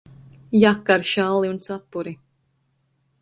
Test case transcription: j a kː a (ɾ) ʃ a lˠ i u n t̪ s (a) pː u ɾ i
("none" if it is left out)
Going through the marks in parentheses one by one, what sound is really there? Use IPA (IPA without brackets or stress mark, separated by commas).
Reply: ɾ, a